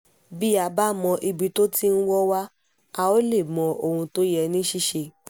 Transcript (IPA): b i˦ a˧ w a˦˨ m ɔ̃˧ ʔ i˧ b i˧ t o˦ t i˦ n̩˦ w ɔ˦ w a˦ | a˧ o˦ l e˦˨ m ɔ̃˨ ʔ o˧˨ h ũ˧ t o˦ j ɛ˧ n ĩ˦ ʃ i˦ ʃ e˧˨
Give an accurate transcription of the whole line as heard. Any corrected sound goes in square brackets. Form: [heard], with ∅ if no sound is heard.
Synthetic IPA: b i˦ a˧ [b] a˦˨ m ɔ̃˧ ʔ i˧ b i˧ t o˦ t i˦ n̩˦ w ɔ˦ w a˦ | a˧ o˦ l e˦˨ m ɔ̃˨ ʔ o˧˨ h ũ˧ t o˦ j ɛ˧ n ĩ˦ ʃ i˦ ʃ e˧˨